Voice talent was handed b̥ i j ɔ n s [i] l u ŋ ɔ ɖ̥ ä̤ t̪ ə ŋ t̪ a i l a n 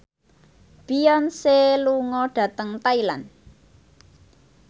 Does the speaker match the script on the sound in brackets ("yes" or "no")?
no